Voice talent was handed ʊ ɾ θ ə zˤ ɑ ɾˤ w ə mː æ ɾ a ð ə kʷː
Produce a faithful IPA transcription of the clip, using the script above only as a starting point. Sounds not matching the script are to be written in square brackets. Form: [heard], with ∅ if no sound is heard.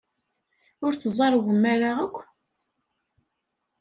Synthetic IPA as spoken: ʊ ɾ θ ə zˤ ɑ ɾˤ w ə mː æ ɾ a [ʁ] ə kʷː

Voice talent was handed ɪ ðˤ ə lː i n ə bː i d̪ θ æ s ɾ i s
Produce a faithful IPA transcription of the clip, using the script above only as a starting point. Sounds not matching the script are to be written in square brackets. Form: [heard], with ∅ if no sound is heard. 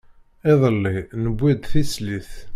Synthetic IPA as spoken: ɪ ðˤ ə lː i n ə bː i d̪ θ [i] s [l] i [θ]

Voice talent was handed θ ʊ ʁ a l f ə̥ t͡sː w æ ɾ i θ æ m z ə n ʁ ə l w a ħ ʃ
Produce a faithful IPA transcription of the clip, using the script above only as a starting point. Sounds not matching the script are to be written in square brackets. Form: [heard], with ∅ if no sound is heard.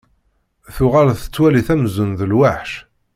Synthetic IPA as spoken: θ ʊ ʁ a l [θ] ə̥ t͡sː w æ [l] i θ æ m z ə n [ð] ə l w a ħ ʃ

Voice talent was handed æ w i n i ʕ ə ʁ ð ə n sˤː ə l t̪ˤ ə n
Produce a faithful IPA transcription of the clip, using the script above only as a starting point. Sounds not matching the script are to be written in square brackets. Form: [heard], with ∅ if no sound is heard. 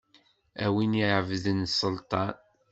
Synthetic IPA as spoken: æ w i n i ʕ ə [v] ð ə n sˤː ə l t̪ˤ [ɑ] n

